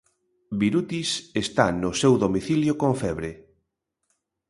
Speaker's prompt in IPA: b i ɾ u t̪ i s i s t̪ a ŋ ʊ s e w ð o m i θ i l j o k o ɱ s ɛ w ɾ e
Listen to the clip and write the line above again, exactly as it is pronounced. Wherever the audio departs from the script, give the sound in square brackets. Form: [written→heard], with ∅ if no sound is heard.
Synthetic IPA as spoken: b i ɾ u t̪ i s [i→e] s t̪ a [ŋ→n] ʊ s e w ð o m i θ i l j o k o ɱ [s→f] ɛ [w→β] ɾ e